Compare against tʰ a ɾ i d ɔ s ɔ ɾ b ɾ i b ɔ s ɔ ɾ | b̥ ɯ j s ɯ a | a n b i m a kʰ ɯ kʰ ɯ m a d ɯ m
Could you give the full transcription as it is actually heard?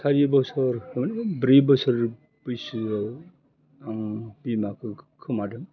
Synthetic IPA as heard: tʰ a ɾ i b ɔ s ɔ ɾ b ɾ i b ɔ s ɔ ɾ | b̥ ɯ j s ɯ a | a ŋ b i m a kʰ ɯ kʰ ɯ m a d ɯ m